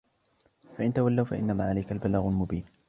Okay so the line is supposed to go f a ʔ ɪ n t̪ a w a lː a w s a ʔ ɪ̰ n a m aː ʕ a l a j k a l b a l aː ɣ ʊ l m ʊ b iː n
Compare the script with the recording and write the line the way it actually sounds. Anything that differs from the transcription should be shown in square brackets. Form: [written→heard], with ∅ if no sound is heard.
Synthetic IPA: f a ʔ ɪ n t̪ a w a lː a w [s→f] a ʔ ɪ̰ [n→nː] a m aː ʕ a l a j k a l b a l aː ɣ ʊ l m ʊ b iː n